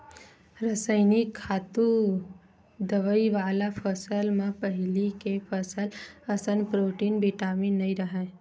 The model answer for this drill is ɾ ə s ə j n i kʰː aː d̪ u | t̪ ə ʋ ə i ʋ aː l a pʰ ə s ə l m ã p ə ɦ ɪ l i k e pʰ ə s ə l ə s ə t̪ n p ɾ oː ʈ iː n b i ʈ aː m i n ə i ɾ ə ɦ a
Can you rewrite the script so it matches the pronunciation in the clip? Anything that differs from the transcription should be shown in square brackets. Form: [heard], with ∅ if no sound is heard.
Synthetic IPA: ɾ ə s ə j n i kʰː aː [t̪] u | [d̪] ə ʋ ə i ʋ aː l a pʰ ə s ə l m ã p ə ɦ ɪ l i k e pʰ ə s ə l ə s ə [∅] n p ɾ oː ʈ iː n b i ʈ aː m i n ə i ɾ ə ɦ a

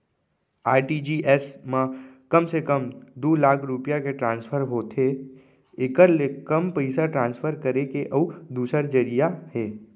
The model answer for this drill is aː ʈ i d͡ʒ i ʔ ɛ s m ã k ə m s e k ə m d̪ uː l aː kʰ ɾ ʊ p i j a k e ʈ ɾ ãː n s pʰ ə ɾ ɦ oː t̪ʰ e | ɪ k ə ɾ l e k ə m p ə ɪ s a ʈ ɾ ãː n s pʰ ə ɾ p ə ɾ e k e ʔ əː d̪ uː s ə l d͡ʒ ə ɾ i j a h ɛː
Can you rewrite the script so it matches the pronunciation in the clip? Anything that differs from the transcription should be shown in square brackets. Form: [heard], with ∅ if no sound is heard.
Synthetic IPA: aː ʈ i d͡ʒ i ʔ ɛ s m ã k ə m s e k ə m d̪ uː l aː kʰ ɾ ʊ p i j a k e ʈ ɾ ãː n s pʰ ə ɾ ɦ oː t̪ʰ e | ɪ k ə ɾ l e k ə m p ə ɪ s a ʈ ɾ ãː n s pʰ ə ɾ [k] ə ɾ e k e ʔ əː d̪ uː s ə [ɾ] d͡ʒ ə ɾ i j a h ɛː

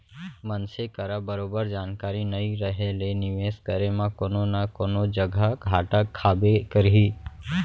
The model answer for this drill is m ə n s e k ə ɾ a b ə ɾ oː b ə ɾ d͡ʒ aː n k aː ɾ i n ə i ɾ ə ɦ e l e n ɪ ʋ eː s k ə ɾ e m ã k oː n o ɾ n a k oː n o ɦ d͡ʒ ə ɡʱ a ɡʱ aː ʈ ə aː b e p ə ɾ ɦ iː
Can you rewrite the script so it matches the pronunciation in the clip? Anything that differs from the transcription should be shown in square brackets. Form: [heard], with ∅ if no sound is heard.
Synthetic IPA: m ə n s e k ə ɾ a b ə ɾ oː b ə ɾ d͡ʒ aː n k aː ɾ i n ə i ɾ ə ɦ e l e n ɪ ʋ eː s k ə ɾ e m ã k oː n o [∅] n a k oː n o [∅] d͡ʒ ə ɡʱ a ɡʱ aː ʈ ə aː b e [k] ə ɾ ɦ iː

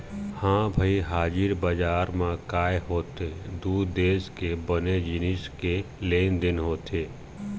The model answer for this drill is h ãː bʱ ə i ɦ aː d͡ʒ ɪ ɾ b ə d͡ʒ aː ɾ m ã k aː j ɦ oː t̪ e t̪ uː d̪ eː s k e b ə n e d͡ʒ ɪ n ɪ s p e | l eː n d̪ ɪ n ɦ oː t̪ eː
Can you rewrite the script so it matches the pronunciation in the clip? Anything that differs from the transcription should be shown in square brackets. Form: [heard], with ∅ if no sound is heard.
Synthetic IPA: h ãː bʱ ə i ɦ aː d͡ʒ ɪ ɾ b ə d͡ʒ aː ɾ m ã k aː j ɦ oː t̪ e [d̪] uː d̪ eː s k e b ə n e d͡ʒ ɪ n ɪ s [k] e | l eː n d̪ ɪ n ɦ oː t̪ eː

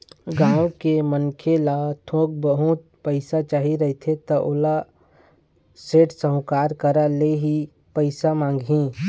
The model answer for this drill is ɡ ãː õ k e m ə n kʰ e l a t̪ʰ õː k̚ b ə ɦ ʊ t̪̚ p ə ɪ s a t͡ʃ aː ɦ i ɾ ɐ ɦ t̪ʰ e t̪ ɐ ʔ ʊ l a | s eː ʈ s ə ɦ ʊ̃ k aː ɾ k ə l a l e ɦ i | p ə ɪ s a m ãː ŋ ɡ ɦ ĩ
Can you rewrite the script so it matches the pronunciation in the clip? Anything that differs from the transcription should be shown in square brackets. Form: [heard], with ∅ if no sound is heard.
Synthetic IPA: ɡ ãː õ k e m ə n kʰ e l a t̪ʰ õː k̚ b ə ɦ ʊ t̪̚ p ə ɪ s a t͡ʃ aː ɦ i ɾ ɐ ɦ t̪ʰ e t̪ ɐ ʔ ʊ l a | s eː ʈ s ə ɦ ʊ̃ k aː ɾ k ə [ɾ] a l e ɦ i | p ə ɪ s a m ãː ŋ ɡ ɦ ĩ

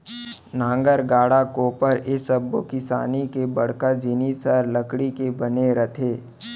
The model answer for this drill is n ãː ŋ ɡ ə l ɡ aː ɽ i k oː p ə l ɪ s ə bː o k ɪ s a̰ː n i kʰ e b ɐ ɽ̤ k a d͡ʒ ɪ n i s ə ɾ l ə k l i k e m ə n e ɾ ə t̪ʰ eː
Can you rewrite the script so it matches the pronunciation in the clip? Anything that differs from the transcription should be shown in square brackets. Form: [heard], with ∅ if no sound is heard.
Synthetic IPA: n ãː ŋ ɡ ə [ɾ] ɡ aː ɽ [a] k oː p ə [ɾ] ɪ s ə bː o k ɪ s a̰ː n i [k] e b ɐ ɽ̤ k a d͡ʒ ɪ n i s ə ɾ l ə k [ɽ] i k e [b] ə n e ɾ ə t̪ʰ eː

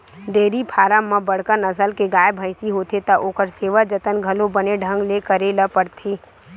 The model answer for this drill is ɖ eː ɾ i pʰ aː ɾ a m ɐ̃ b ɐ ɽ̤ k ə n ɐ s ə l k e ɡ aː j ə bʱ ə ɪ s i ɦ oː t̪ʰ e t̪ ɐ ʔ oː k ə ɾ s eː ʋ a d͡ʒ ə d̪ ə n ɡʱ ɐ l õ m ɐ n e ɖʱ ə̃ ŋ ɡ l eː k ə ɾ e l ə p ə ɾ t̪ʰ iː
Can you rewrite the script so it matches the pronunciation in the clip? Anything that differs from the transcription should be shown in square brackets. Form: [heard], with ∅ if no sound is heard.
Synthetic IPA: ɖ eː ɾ i pʰ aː ɾ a m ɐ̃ b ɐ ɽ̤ k ə n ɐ s ə l k e ɡ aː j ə bʱ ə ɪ s i ɦ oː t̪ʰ e t̪ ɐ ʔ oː k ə ɾ s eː ʋ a d͡ʒ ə [t̪] ə n ɡʱ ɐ l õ [b] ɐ n e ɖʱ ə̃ ŋ ɡ l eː k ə ɾ e l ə p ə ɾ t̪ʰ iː

